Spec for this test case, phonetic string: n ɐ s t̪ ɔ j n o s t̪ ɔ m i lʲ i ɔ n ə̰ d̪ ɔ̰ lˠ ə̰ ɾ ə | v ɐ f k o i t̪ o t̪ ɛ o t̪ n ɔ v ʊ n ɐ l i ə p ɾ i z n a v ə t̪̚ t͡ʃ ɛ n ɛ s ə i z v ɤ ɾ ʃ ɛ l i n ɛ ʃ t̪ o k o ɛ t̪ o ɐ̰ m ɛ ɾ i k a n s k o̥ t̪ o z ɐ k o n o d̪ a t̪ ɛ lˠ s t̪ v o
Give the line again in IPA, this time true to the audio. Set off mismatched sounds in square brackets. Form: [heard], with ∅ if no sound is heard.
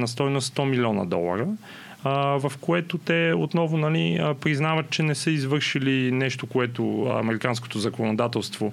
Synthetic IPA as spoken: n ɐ s t̪ ɔ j n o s t̪ ɔ m i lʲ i ɔ n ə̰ d̪ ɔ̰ lˠ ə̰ ɾ ə | v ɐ f k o [ɛ] t̪ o t̪ ɛ o t̪ n ɔ v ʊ n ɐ l i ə p ɾ i z n a v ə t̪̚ t͡ʃ ɛ n ɛ s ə i z v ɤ ɾ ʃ [i] l i n ɛ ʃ t̪ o k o ɛ t̪ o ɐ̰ m ɛ ɾ i k a n s k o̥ t̪ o z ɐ k o n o d̪ a t̪ ɛ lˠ s t̪ v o